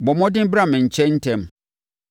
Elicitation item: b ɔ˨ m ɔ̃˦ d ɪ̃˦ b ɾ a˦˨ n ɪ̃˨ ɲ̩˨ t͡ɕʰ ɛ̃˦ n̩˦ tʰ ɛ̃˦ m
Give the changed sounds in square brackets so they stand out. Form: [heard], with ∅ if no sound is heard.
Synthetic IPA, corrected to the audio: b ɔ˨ m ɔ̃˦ d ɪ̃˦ b ɾ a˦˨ [m] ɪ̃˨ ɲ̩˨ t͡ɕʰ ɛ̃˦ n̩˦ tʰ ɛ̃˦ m